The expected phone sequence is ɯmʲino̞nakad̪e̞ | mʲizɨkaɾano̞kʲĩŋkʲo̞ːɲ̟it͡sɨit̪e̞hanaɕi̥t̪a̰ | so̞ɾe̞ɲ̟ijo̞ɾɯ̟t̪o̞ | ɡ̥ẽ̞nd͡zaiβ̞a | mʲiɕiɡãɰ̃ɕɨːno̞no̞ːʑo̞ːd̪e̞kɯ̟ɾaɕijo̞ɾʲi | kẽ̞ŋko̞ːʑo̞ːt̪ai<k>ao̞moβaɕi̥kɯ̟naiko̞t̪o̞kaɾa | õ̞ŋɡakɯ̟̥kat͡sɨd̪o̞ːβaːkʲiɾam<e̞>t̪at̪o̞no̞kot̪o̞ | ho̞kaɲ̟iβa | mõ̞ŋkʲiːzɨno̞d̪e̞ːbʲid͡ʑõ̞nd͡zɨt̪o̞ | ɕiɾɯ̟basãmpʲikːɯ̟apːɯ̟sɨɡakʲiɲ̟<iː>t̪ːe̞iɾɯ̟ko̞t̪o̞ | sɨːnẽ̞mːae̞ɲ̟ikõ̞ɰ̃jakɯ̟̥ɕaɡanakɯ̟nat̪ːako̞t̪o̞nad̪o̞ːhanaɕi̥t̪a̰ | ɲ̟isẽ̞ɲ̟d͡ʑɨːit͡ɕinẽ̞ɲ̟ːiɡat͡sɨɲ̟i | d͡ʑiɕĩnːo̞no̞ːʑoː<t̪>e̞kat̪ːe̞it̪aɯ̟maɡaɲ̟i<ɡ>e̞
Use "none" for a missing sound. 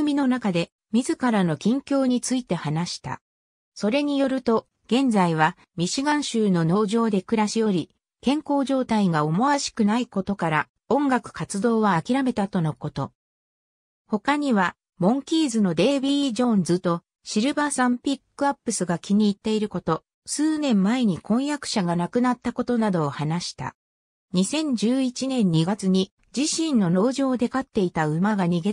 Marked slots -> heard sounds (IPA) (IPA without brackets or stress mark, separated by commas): ɡ, e̞, iː, d̪, ɡ